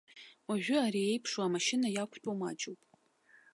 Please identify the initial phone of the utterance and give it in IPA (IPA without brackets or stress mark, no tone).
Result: w